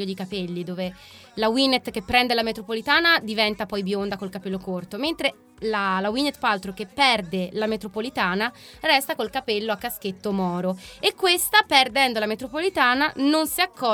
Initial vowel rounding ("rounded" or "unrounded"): rounded